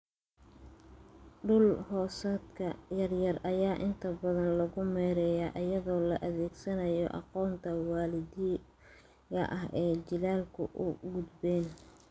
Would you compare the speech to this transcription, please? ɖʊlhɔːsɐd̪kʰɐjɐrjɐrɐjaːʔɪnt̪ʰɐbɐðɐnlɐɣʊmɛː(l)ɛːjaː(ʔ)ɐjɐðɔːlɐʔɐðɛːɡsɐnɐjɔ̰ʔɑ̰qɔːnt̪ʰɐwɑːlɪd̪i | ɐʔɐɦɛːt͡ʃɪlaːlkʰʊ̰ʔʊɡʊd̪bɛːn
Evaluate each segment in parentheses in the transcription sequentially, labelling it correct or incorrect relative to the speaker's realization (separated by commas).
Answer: incorrect, correct